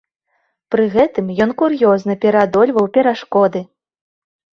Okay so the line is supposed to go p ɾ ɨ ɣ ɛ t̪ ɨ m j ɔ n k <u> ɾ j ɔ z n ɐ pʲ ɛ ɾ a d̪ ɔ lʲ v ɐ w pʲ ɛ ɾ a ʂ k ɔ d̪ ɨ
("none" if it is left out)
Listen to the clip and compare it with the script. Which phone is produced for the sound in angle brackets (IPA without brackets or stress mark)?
u